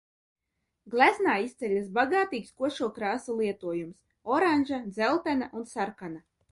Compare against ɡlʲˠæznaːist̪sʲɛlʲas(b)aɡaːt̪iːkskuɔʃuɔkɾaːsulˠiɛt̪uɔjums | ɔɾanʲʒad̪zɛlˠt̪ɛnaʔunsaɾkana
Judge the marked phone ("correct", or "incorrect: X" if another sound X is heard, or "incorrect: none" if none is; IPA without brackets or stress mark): correct